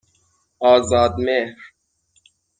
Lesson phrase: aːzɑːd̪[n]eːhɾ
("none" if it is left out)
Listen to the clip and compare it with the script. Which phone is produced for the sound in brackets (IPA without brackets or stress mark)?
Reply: m